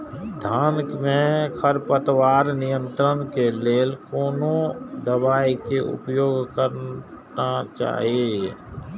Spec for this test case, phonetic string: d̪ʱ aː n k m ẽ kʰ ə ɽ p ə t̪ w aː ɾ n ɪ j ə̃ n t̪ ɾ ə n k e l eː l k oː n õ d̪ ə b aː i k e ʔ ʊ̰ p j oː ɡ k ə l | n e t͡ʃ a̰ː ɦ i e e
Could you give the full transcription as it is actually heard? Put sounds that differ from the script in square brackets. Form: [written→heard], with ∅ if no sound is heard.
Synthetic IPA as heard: d̪ʱ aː n k m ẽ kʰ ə [ɽ→ɾ] p ə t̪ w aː ɾ n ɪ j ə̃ n t̪ ɾ ə n k e l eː l k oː n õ d̪ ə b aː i k e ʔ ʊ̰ p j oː ɡ k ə [l→ɾ] | n [e→a] t͡ʃ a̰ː ɦ i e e